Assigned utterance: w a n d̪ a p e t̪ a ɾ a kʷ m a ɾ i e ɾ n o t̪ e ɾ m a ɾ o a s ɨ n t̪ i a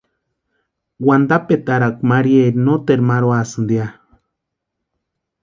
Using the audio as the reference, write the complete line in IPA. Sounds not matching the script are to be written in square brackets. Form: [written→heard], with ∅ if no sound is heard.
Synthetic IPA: w a n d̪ a p e t̪ a ɾ a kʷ m a ɾ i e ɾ n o t̪ e ɾ m a ɾ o a s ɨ n [t̪→d̪] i a

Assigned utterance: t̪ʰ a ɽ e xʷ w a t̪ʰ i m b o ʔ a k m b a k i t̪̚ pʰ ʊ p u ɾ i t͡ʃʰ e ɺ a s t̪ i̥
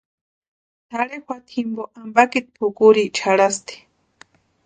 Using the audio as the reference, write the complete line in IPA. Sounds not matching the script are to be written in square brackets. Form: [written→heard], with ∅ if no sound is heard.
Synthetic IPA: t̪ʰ a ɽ e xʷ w a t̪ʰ i m b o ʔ a [k→∅] m b a k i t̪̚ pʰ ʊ [p→k] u ɾ i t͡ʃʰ [e→a] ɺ a s t̪ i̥

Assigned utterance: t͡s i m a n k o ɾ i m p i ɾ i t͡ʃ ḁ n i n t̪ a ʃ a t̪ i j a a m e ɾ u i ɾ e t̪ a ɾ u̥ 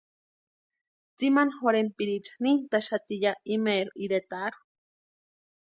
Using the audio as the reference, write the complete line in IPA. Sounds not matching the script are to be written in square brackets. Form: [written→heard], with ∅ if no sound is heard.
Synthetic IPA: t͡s i m a n [k→x] o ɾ [i→e] m p i ɾ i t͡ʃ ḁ n i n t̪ a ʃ a t̪ i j a [a→i] m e ɾ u i ɾ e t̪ a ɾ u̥

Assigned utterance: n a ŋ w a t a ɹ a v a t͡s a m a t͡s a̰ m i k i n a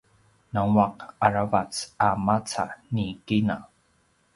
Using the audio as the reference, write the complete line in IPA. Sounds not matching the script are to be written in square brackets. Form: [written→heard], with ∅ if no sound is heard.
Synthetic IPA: n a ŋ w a [t→q] a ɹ a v a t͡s a m a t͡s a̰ [m→n] i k i n a

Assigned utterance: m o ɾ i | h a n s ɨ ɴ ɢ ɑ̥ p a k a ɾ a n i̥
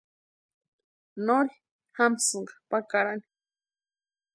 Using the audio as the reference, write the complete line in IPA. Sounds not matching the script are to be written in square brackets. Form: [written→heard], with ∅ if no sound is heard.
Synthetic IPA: [m→n] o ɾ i | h a [n→m] s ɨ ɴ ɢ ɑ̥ p a k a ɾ a n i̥

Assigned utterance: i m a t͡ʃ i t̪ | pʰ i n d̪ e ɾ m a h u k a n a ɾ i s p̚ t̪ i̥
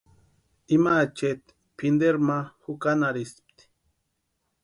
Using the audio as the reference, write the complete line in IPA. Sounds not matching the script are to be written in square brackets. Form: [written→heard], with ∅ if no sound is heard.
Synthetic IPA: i m a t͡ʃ [i→e] t̪ | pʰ i n d̪ e ɾ m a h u k a n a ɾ i s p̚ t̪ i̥

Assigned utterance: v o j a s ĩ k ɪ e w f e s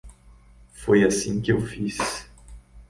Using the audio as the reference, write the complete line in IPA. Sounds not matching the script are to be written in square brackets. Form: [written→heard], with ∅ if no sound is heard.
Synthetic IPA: [v→f] o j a s ĩ k ɪ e w f [e→i] s

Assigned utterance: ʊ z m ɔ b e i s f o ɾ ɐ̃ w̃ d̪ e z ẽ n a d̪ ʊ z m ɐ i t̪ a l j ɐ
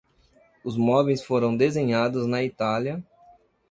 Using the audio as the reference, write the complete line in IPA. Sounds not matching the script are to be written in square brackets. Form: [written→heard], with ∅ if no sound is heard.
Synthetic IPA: ʊ z m ɔ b e [i→j] s f o ɾ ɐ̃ w̃ d̪ e z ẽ [n→ɲ] a d̪ ʊ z [m→n] ɐ i t̪ a l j ɐ

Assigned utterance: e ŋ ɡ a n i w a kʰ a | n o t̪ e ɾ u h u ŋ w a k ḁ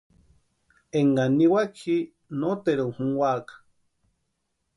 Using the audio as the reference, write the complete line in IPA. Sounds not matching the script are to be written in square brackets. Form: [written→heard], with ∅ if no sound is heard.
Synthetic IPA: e ŋ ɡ a n i w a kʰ [a→i] | n o t̪ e ɾ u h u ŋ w a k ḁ

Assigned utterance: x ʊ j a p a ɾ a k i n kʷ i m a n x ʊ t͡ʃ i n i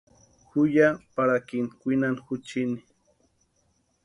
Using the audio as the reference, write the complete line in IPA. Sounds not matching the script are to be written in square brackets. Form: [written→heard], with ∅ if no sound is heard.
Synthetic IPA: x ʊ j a p a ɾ a k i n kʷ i [m→n] a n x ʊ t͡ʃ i n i

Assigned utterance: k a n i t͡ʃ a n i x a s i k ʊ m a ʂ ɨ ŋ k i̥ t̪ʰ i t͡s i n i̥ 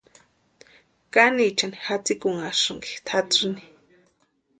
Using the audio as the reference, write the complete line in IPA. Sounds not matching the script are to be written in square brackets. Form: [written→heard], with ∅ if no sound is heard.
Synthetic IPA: k a n i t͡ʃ a n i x a [s→t͡s] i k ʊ [m→ŋ] a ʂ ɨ ŋ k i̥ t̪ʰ [i→a] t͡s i n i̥

